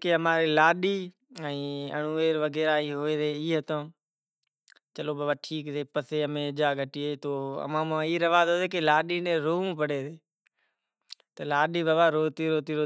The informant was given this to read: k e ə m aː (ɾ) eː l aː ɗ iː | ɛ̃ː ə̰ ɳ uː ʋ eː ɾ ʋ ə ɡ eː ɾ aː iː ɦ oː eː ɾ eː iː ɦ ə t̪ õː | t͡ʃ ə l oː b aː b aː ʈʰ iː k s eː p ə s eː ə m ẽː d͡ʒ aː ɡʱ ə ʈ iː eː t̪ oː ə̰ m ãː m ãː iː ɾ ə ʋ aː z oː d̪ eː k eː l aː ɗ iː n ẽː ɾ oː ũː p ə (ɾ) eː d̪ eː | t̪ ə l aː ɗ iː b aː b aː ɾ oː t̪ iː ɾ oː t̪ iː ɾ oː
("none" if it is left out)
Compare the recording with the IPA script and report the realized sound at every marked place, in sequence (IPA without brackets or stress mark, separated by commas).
ɾ, ɽ